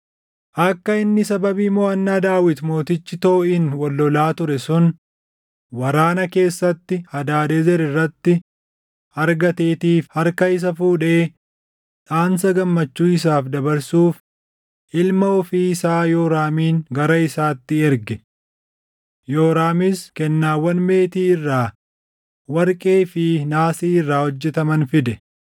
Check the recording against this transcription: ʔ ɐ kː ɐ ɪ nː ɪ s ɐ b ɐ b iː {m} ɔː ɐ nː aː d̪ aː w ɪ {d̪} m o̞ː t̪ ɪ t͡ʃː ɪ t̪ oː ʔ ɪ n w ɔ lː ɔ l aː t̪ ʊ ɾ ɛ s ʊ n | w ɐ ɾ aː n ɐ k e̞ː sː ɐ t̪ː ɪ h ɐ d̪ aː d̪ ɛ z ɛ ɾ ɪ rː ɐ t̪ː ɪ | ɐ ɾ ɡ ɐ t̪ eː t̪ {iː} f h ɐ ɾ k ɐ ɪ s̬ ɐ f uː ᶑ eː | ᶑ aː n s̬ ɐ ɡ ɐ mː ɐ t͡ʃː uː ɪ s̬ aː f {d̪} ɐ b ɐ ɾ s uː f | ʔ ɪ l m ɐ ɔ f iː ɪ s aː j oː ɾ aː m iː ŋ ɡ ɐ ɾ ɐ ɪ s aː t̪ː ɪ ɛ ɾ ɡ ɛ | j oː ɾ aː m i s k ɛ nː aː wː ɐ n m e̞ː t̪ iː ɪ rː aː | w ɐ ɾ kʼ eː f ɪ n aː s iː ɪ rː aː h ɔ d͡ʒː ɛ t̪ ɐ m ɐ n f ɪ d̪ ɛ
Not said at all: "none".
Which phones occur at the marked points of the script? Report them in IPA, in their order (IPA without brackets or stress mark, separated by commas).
m, t̪, iː, d̪